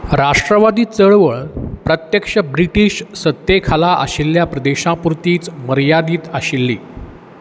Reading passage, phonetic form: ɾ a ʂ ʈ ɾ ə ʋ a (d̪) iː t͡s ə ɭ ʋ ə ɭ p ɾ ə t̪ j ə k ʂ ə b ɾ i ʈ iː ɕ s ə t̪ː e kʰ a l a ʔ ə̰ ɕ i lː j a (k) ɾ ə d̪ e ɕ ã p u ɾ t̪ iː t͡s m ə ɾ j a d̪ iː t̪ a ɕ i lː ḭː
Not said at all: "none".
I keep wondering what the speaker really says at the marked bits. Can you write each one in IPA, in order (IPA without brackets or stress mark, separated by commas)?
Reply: d̪, p